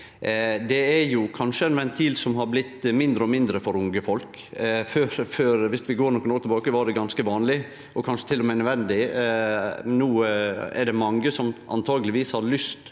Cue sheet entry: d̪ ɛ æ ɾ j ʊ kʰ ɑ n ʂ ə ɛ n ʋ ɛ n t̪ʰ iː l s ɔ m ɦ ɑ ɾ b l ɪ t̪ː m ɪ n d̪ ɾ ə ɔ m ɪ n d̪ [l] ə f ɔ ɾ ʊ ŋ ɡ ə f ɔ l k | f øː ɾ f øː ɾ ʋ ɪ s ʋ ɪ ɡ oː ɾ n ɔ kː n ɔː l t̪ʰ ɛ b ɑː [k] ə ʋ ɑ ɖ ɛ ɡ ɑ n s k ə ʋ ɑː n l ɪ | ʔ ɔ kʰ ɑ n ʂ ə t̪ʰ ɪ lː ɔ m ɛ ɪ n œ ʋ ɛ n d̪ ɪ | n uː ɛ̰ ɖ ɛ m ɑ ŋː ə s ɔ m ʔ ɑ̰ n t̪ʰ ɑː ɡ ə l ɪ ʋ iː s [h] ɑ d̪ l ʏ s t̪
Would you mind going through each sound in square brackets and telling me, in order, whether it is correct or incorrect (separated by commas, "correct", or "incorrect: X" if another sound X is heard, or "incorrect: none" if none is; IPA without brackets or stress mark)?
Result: incorrect: ɾ, correct, correct